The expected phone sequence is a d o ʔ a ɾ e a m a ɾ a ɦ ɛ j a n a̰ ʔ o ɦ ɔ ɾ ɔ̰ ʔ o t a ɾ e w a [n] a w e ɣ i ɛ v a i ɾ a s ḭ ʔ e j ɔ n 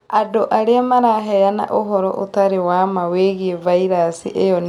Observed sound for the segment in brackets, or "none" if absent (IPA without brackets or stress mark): m